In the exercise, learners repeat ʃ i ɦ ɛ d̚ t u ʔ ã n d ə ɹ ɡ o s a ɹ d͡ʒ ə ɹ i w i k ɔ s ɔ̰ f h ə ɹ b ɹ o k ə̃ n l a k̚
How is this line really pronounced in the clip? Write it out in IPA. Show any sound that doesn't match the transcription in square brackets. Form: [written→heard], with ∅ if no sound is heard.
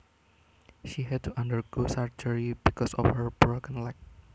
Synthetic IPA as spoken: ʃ i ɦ ɛ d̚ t u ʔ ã n d ə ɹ ɡ o s a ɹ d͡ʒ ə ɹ i [w→b] i k ɔ s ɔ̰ f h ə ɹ b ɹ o k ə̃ n l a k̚